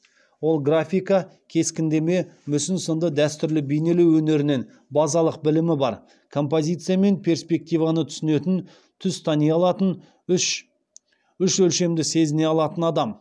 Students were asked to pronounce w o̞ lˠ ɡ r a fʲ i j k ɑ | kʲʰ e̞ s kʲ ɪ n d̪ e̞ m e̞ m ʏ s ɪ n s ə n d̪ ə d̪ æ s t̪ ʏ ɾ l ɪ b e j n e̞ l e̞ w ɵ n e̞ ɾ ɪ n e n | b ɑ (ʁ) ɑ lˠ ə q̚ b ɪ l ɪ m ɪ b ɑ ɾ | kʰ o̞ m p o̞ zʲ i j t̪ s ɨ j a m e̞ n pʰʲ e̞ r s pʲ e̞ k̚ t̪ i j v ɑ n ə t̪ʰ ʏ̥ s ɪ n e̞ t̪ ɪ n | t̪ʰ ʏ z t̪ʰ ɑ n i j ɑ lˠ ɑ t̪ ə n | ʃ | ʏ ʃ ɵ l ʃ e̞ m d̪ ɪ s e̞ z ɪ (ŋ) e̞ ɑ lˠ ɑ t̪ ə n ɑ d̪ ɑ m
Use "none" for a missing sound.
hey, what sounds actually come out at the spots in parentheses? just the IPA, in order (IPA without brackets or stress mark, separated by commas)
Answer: z, n